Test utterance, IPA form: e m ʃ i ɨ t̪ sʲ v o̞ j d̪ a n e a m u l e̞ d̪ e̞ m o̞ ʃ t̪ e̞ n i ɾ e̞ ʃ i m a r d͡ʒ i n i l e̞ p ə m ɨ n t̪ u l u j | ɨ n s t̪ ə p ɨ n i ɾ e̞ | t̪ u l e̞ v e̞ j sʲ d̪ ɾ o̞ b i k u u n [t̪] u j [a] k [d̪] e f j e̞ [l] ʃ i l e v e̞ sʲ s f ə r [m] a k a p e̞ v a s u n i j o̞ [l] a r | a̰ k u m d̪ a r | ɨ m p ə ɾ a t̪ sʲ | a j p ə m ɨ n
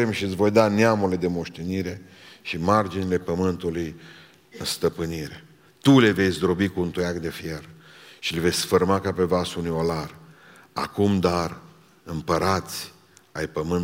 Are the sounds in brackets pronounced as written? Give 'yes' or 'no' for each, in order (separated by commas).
yes, yes, yes, no, yes, yes